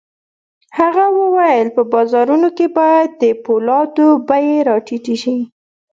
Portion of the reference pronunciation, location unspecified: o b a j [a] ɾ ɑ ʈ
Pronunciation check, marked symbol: incorrect: e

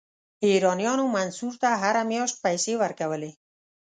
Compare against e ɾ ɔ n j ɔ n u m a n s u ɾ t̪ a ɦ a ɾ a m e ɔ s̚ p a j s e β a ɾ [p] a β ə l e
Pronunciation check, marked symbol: incorrect: k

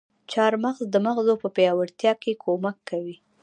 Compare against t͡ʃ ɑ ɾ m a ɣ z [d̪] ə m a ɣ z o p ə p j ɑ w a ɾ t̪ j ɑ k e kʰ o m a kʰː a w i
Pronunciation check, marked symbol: correct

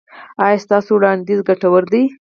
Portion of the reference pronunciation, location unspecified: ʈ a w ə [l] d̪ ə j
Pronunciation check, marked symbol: incorrect: ɾ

